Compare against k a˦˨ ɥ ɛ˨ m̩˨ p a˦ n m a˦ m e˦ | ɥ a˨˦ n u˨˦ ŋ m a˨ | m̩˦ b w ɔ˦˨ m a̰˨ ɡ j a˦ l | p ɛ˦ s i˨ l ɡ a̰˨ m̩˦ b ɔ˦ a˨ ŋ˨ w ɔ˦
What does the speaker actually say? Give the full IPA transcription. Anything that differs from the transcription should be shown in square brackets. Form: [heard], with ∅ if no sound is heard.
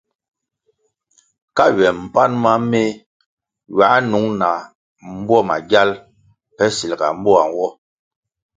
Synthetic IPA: k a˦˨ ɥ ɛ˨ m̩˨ p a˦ n m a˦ m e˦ | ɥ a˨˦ n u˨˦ ŋ [n] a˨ | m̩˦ b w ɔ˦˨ m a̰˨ ɡ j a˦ l | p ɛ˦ s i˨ l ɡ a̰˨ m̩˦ b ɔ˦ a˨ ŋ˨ w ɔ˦